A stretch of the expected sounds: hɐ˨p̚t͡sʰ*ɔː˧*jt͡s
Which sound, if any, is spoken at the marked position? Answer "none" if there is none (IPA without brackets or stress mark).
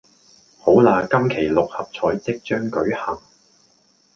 ɔː˨˥